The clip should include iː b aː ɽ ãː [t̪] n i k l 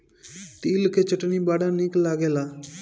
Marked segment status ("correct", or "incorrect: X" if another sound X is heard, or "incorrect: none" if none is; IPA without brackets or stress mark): incorrect: none